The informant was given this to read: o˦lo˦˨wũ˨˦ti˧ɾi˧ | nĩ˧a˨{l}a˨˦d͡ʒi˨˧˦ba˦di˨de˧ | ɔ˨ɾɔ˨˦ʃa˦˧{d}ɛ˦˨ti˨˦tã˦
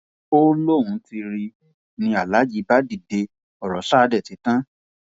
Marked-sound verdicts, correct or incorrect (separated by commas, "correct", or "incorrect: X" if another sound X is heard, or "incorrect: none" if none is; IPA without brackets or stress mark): correct, correct